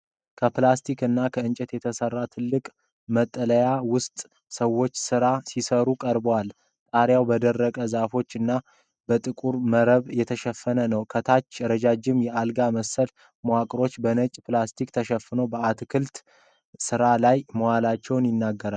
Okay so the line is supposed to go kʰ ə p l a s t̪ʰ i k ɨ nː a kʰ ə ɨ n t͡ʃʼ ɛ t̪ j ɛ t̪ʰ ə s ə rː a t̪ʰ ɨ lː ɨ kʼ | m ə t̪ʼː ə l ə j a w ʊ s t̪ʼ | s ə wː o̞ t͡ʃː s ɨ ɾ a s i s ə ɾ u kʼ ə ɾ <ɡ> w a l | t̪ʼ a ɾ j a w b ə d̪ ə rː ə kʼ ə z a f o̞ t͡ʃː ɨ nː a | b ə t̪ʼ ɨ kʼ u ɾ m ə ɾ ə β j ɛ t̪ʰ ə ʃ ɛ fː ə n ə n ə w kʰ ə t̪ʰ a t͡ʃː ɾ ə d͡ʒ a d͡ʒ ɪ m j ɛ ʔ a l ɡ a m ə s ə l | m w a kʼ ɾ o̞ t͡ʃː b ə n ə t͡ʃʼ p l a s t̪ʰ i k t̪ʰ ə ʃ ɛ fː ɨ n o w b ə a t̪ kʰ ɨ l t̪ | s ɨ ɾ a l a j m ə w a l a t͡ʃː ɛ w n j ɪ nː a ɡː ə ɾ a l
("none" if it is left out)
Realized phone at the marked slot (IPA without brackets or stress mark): b